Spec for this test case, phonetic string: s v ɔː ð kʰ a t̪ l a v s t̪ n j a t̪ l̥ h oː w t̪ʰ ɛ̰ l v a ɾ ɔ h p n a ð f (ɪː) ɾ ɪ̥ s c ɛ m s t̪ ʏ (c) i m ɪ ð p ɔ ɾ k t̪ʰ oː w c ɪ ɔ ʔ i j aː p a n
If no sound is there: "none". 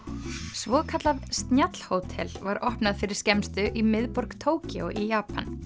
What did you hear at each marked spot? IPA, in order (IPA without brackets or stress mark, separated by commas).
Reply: ɪ, ʔ